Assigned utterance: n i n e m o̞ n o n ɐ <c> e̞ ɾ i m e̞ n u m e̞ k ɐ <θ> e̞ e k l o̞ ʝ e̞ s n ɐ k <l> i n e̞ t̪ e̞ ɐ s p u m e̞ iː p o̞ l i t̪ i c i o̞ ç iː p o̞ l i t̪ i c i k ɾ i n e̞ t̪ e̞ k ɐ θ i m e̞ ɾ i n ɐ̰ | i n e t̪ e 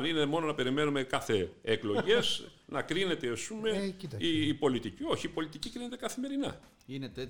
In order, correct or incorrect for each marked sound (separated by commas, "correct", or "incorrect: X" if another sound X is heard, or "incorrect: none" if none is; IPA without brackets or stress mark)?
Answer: incorrect: p, correct, incorrect: ɾ